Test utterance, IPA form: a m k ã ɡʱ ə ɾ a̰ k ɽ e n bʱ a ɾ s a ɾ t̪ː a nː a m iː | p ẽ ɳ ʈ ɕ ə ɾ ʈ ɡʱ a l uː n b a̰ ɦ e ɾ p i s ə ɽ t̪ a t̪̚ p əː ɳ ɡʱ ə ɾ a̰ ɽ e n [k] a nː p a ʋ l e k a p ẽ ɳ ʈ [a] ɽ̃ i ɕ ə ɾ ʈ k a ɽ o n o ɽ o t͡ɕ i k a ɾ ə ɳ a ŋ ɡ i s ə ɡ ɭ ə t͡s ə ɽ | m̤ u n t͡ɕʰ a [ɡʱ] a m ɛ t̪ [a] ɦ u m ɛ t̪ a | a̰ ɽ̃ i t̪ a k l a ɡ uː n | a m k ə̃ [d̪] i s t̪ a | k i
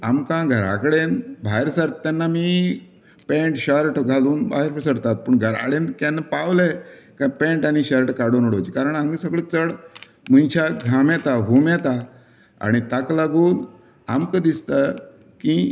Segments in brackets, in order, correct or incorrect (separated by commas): correct, correct, correct, correct, correct